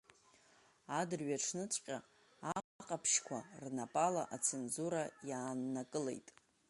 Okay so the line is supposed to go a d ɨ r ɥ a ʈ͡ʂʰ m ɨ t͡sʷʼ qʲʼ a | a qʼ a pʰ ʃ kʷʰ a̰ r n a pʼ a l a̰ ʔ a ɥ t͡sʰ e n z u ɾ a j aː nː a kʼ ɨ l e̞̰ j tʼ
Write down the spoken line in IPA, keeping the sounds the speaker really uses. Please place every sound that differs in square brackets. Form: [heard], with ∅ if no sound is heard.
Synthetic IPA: a d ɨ r ɥ a ʈ͡ʂʰ [n] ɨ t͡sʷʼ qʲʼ a | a qʼ a pʰ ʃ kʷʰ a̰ r n a pʼ a l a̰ ʔ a [∅] t͡sʰ e n z u ɾ a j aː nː a kʼ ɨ l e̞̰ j tʼ

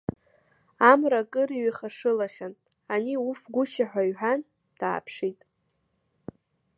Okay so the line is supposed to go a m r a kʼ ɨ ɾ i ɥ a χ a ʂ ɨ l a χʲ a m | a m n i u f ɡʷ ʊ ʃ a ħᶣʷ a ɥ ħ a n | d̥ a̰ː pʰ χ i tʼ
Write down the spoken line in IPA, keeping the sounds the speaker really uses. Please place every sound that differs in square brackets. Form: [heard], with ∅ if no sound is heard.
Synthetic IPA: a m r a kʼ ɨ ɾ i ɥ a χ a ʂ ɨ l a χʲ a [n] | a [∅] n i u f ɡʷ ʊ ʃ a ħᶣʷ a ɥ ħ a n | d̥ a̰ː pʰ [ʂ] i tʼ

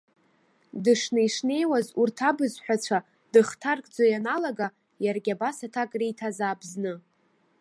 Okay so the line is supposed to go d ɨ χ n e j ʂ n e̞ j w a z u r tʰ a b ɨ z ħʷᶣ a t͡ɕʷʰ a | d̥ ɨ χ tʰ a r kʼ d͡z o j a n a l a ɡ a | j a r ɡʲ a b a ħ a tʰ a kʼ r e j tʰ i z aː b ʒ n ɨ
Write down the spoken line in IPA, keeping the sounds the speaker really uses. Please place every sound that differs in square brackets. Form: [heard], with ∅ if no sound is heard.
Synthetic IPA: d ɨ [ʂ] n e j ʂ n e̞ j w a z u r tʰ a b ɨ z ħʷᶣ a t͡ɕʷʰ a | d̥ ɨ χ tʰ a r kʼ d͡z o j a n a l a ɡ a | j a r ɡʲ a b a [s] a tʰ a kʼ r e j tʰ [a] z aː b [z] n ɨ

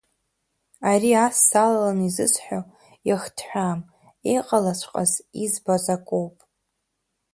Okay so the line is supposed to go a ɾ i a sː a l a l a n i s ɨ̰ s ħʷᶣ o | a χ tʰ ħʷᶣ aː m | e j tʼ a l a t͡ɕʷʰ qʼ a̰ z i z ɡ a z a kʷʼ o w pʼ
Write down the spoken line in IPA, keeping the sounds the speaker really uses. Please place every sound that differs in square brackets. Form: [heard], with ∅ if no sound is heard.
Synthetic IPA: a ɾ i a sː a l a l a n i [z] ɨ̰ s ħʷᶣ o | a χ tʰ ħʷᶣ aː m | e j [qʼ] a l a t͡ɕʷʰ qʼ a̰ z i z [b] a z a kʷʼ o w pʼ

